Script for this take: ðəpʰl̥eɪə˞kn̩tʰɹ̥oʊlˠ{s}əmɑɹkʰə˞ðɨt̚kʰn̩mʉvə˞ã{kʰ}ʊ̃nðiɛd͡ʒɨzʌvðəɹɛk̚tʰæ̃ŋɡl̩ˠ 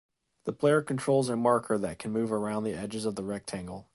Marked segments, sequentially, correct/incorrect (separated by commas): incorrect, incorrect